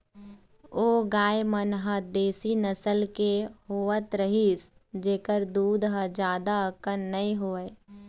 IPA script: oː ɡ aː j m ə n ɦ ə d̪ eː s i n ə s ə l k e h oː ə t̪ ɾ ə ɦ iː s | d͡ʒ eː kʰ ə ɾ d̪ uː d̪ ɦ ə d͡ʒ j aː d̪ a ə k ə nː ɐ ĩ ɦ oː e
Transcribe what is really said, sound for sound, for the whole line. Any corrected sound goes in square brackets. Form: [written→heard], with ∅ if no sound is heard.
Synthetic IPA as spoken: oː ɡ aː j m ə n ɦ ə d̪ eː s i n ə s ə l k e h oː ə t̪ ɾ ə ɦ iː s | d͡ʒ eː [kʰ→k] ə ɾ d̪ uː d̪ ɦ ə d͡ʒ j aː d̪ a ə k ə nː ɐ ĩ ɦ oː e